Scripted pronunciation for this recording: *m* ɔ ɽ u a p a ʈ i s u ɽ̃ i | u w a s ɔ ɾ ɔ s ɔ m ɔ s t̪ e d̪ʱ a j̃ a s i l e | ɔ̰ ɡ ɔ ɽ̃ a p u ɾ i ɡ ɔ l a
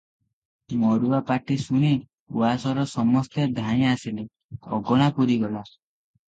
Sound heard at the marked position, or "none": m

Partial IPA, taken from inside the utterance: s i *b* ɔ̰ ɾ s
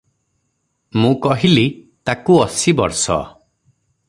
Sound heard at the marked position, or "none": b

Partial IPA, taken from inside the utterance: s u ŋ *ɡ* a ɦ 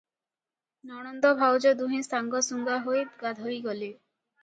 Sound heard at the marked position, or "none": ɡ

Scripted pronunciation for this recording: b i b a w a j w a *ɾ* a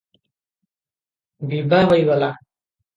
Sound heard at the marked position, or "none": l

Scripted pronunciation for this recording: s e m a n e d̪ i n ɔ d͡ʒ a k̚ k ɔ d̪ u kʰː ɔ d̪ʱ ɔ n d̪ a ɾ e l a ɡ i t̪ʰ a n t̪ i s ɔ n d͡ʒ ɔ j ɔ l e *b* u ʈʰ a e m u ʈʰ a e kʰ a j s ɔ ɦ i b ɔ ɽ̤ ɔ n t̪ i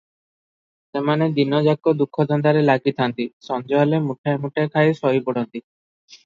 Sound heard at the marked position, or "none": m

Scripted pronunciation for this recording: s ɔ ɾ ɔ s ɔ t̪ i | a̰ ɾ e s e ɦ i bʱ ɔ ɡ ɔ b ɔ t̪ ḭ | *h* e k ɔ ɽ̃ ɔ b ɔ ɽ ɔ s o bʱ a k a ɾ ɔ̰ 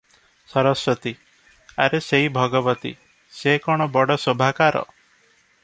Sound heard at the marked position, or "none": s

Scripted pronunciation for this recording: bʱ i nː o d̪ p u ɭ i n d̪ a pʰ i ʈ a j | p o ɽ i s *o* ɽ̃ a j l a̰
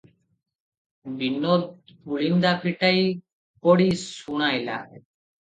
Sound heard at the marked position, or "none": u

